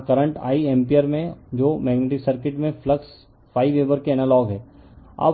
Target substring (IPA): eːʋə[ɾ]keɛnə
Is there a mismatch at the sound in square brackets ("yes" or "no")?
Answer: no